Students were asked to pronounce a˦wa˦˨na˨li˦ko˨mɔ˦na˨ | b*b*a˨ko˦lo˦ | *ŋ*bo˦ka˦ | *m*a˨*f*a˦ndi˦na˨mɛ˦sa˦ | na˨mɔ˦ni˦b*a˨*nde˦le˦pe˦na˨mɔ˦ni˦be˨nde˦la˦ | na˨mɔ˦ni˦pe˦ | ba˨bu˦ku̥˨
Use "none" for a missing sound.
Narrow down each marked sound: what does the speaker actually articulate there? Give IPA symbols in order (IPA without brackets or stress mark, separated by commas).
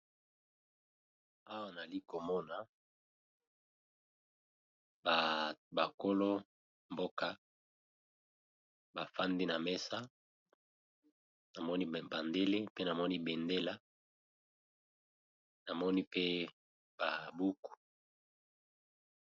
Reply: b, m, b, f, a˨